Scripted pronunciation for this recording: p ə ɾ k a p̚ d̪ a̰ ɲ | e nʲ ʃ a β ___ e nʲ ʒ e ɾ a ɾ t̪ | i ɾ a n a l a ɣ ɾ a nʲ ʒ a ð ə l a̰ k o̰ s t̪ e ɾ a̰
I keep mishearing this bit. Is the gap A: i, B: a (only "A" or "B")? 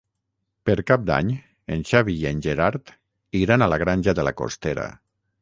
A